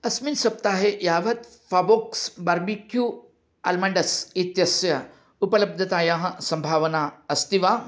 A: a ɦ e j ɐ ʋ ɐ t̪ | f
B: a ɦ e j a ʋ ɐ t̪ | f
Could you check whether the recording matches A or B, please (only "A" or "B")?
B